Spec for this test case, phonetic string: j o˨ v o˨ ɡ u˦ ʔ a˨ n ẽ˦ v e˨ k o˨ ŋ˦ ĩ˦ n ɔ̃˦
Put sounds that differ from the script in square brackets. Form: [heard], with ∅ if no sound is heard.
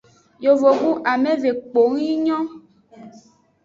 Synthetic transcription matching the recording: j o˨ v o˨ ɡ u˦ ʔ a˨ [m] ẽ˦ v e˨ [k͡p] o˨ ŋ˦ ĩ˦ [ɲ] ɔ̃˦